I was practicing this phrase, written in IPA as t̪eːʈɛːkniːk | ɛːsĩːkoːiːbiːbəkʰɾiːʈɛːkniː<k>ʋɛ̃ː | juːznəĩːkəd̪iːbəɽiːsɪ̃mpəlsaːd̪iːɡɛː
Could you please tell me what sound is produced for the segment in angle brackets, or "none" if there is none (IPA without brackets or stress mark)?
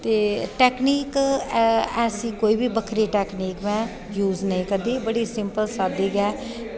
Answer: k